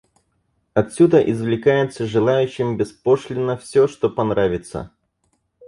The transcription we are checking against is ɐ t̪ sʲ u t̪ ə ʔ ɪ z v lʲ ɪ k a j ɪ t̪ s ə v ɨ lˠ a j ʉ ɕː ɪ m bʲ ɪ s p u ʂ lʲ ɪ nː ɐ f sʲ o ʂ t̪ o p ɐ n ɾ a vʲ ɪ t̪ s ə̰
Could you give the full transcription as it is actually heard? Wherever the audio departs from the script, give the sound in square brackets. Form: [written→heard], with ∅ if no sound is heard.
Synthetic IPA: ɐ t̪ sʲ u [t̪→d̪] ə ʔ ɪ z v lʲ ɪ k a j ɪ t̪ s ə [v→ʐ] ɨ lˠ a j ʉ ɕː ɪ m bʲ ɪ s p [u→o] ʂ lʲ ɪ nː [ɐ→ə] f sʲ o ʂ t̪ o p ɐ n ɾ a vʲ ɪ t̪ s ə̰